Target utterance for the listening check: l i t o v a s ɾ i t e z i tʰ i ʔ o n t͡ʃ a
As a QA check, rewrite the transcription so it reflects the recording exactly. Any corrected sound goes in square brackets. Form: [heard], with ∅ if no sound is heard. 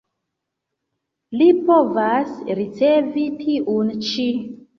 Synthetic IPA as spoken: l i [p] o v a s ɾ i [t͡s] e [v] i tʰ i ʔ [u] n t͡ʃ [i]

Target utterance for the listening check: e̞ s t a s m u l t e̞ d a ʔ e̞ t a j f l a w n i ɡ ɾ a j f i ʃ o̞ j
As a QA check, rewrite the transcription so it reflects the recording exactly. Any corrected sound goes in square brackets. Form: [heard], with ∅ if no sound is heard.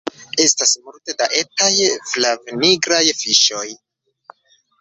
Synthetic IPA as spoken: e̞ s t a s m u l t e̞ d a ʔ e̞ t a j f l a [v] n i ɡ ɾ a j f i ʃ o̞ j

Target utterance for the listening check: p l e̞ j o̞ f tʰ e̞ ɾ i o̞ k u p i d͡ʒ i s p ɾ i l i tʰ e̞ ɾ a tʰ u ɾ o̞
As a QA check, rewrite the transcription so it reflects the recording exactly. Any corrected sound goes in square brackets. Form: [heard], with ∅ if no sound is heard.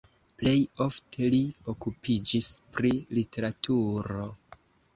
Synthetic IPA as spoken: p l e̞ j o̞ f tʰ e̞ [l] i o̞ k u p i d͡ʒ i s p ɾ i l i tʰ e̞ ɾ a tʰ u ɾ o̞

